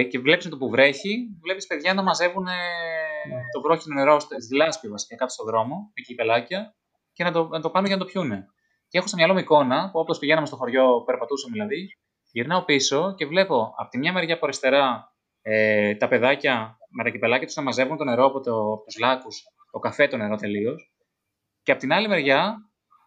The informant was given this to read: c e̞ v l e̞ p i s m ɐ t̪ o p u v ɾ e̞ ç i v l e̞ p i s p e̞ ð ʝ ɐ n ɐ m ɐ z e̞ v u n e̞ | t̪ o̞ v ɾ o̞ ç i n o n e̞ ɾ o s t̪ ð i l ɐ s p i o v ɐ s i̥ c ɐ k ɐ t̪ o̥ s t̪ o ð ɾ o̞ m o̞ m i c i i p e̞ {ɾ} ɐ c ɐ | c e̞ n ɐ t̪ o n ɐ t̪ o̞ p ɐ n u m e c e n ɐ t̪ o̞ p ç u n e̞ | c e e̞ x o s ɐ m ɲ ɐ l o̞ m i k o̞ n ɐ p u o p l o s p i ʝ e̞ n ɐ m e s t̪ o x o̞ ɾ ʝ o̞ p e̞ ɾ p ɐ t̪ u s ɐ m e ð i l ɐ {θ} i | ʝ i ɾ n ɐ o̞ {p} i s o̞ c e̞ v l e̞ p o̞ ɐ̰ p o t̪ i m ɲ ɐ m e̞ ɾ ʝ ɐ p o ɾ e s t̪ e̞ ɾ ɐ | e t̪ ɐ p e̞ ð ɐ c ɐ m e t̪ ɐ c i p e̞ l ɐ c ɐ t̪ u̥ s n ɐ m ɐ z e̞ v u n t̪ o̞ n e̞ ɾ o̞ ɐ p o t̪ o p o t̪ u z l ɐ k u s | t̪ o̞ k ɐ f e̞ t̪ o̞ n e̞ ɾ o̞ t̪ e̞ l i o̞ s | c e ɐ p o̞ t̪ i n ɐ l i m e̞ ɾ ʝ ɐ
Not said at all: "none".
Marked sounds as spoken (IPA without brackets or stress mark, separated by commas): l, ð, p